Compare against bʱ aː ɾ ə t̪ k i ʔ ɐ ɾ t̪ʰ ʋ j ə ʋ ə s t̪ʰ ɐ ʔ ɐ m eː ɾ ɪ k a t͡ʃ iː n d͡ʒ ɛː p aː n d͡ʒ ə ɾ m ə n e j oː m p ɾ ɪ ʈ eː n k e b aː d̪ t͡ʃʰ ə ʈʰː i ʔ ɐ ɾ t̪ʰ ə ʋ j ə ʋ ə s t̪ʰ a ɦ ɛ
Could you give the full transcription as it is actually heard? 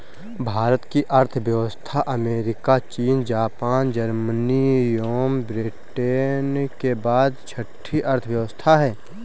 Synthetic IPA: bʱ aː ɾ ə t̪ k i ʔ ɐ ɾ t̪ʰ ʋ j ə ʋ ə s t̪ʰ a ʔ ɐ m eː ɾ ɪ k a t͡ʃ iː n d͡ʒ aː p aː n d͡ʒ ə ɾ m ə n i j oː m b ɾ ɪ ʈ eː n k e b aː d̪ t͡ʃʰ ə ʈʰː i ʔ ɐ ɾ t̪ʰ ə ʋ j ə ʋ ə s t̪ʰ a ɦ ɛː